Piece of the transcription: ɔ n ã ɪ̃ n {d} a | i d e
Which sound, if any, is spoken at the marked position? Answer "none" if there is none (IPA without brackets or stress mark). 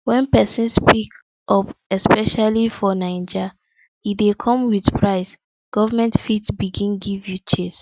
d͡ʒ